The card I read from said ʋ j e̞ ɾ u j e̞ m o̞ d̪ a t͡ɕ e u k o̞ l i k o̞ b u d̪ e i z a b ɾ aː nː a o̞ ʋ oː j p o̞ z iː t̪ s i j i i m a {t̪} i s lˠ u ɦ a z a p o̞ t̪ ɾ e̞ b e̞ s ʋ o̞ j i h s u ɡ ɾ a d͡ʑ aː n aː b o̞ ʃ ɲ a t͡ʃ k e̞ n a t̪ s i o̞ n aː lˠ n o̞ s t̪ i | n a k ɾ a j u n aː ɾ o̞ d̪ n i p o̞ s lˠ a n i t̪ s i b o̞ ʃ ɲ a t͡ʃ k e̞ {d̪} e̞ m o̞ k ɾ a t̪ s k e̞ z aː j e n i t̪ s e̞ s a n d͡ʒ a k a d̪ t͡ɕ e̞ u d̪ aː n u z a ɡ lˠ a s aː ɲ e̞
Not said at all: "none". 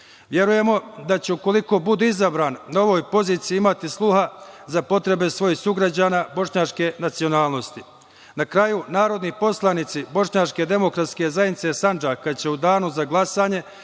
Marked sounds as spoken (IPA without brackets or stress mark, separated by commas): t̪, d̪